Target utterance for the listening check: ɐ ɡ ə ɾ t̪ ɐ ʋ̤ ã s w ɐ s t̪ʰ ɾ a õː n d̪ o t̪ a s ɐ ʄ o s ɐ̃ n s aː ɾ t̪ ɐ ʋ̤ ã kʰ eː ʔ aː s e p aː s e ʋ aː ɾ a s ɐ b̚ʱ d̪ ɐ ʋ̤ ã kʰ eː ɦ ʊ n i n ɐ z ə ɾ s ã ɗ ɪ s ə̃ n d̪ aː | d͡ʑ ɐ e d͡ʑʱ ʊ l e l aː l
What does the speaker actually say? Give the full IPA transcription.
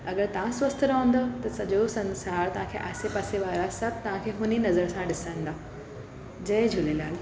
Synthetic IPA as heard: ɐ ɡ ə ɾ t̪ ɐ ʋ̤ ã s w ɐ s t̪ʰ ɾ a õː n d̪ o t̪ ɐ s ɐ ʄ o s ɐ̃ n s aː ɾ t̪ ɐ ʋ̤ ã kʰ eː ʔ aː s e p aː s e ʋ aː ɾ a s ɐ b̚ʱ t̪ ɐ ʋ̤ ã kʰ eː ɦ ʊ n i n ɐ z ə ɾ s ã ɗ ɪ s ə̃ n d̪ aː | d͡ʑ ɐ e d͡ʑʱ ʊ l e l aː l